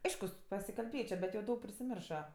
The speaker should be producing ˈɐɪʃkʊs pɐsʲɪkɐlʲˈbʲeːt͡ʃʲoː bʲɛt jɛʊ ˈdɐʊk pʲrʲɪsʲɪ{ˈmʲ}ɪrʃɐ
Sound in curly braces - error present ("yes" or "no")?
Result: no